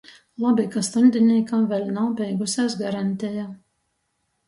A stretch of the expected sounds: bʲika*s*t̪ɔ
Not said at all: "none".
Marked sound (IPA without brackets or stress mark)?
s